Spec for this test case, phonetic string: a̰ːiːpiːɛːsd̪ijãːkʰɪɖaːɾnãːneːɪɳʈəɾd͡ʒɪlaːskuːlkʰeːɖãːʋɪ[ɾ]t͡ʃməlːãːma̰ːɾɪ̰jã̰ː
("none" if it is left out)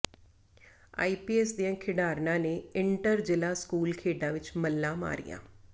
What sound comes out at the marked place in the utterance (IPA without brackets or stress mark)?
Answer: none